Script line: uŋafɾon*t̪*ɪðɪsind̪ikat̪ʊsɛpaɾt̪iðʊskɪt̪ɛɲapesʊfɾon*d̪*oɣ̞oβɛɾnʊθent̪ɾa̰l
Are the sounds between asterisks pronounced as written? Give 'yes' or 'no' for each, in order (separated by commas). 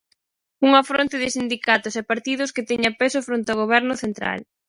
yes, no